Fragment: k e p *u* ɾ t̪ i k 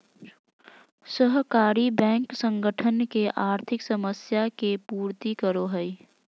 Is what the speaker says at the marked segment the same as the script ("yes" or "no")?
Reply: no